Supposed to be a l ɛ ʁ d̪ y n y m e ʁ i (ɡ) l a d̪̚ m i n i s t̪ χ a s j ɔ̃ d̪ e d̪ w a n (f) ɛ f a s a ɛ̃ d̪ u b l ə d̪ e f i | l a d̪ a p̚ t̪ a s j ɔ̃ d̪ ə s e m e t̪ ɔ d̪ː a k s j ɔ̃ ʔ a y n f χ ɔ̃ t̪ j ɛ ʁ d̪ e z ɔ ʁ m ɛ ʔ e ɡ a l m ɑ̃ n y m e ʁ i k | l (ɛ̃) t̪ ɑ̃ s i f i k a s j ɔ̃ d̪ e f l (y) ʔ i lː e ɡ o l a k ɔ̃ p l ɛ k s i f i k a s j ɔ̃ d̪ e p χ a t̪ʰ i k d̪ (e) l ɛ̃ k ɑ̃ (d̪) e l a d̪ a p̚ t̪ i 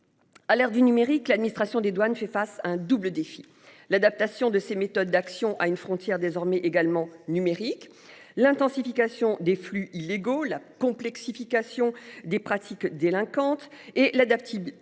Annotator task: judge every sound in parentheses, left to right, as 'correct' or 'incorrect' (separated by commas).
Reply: incorrect, correct, correct, correct, correct, incorrect